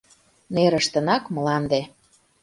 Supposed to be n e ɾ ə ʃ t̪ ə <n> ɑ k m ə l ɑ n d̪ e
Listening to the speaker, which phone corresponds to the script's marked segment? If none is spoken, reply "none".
n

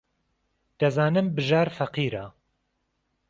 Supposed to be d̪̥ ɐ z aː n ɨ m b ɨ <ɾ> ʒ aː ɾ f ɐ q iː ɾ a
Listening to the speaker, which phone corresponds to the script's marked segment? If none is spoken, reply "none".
none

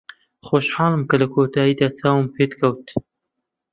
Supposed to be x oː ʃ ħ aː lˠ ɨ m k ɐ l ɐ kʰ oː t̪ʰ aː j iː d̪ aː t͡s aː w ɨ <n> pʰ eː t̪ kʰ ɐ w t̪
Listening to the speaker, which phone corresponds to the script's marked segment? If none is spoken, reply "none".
m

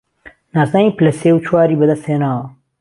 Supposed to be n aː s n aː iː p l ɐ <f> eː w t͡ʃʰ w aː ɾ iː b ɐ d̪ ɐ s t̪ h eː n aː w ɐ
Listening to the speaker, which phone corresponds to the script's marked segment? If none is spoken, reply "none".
s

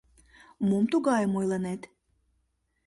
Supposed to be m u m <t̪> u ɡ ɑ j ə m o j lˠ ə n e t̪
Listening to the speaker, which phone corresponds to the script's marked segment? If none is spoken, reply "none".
t̪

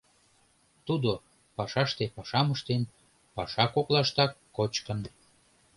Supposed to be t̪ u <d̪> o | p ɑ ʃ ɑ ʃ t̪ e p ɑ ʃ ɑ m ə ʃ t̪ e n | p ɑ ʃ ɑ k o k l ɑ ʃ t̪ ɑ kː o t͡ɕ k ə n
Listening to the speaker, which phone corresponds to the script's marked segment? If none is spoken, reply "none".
d̪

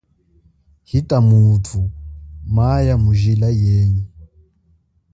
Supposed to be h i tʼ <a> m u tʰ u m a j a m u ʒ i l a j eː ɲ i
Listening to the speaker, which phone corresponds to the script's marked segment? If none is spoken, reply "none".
a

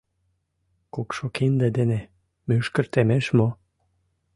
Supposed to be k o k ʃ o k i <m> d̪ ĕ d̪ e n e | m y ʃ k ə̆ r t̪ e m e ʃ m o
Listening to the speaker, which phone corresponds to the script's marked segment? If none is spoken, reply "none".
n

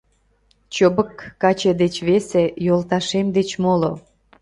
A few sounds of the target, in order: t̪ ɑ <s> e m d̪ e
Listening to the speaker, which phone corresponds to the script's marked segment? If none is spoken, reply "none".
ʃ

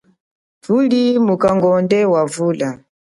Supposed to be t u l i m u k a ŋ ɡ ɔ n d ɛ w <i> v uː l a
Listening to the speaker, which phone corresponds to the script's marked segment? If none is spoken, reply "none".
a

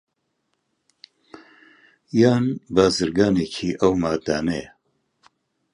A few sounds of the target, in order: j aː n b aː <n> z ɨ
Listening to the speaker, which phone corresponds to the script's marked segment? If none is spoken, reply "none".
none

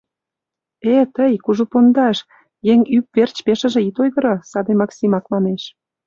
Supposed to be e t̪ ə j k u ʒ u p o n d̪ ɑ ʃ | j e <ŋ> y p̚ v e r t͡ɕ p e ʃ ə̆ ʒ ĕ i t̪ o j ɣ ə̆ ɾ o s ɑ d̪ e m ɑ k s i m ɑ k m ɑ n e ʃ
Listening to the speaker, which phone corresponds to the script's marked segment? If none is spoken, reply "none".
ŋ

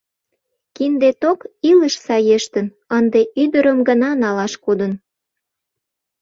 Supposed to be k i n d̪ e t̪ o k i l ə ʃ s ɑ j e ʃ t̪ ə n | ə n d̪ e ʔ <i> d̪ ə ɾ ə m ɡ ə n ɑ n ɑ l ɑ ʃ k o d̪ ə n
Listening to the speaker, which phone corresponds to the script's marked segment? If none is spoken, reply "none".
y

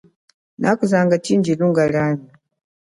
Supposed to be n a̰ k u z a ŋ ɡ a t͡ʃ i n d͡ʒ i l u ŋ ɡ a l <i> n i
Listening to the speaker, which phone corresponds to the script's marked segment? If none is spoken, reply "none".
a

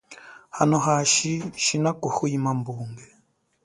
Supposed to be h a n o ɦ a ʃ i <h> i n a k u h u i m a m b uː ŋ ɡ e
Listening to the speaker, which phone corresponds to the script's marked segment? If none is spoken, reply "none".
ʃ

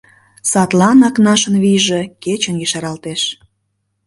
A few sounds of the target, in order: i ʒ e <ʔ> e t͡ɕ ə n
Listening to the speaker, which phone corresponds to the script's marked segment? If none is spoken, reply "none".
k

